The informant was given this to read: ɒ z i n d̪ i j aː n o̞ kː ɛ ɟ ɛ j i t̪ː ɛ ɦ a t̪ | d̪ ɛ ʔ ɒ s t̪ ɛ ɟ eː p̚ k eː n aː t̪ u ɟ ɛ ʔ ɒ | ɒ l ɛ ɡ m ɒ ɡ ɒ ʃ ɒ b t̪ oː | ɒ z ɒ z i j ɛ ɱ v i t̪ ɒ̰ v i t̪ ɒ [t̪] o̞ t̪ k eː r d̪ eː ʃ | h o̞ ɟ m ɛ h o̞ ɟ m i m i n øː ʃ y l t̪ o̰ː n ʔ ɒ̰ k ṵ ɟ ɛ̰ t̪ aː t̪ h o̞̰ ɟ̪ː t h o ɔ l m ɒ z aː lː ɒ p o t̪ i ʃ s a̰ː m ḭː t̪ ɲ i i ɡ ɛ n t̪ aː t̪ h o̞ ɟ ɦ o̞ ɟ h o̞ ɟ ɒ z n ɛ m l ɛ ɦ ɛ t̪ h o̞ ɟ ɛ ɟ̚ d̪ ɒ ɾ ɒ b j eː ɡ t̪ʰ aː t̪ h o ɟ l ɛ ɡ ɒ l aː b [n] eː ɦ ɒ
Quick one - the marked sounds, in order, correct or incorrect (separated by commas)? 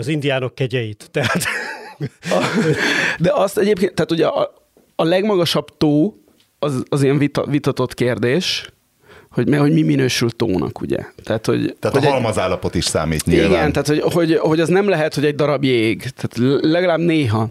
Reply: correct, correct